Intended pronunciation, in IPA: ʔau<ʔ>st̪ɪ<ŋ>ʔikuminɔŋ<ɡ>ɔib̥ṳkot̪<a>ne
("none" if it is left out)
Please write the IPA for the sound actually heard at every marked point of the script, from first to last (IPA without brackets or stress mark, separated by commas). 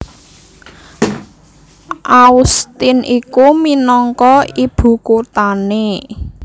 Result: none, n, k, a